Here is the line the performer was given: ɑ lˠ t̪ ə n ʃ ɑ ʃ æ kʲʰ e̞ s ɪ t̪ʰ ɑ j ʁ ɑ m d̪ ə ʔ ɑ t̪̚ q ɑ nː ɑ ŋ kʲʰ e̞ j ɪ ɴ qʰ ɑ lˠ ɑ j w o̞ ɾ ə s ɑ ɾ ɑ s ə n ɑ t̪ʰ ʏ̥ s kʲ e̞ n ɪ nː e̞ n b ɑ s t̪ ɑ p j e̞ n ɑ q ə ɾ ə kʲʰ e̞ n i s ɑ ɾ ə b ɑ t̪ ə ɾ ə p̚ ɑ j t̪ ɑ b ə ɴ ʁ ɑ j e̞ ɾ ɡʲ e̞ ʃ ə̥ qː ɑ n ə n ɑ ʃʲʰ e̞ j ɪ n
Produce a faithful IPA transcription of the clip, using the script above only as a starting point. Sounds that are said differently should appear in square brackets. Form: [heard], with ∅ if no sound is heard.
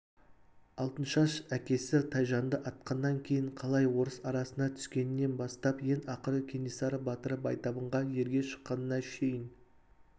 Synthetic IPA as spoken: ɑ lˠ t̪ ə n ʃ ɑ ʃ æ [kʲ] e̞ s ɪ t̪ʰ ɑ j [ʒ] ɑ [n] d̪ ə ʔ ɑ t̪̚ q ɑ nː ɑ ŋ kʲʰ e̞ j ɪ ɴ qʰ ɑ lˠ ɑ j w o̞ ɾ ə s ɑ ɾ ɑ s ə n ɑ t̪ʰ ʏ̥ s kʲ e̞ n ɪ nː e̞ n b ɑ s t̪ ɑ p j e̞ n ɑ q ə ɾ ə kʲʰ e̞ n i s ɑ ɾ ə b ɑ t̪ ə ɾ ə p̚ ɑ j t̪ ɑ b ə ɴ ʁ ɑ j e̞ ɾ ɡʲ e̞ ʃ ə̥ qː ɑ n ə n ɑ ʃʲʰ e̞ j ɪ n